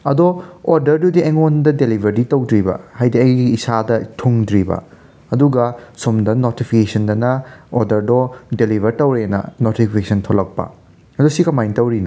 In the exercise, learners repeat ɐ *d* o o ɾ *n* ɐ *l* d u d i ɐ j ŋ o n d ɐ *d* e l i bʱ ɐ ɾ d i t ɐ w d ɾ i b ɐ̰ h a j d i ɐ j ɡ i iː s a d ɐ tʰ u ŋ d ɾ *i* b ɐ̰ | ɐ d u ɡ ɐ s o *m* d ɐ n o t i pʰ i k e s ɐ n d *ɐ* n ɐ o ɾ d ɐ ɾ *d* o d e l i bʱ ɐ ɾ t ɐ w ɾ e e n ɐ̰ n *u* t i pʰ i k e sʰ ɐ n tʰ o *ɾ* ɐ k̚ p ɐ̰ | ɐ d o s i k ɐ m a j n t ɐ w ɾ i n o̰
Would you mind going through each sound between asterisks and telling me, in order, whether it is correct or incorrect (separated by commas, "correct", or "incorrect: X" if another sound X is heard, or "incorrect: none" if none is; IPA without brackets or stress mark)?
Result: correct, incorrect: d, incorrect: ɾ, correct, correct, correct, correct, correct, incorrect: o, incorrect: l